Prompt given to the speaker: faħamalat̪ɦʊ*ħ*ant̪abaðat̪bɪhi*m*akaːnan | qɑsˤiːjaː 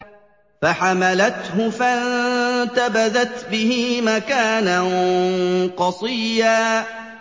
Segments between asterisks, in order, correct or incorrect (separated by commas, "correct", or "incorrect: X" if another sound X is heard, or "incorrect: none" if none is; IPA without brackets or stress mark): incorrect: f, correct